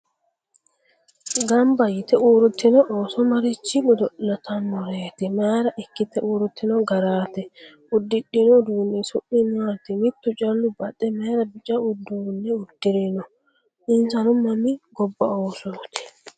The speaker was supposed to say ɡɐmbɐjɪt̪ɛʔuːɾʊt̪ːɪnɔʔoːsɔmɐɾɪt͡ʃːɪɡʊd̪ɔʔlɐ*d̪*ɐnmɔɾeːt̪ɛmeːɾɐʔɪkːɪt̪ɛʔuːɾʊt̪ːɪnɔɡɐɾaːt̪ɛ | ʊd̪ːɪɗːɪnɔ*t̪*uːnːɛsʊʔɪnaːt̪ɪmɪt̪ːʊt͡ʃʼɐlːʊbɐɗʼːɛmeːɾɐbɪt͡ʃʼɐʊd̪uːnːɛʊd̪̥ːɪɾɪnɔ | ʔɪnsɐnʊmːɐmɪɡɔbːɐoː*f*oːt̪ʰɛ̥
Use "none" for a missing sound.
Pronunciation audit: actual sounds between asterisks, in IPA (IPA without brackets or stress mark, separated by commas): t̪, d̪, s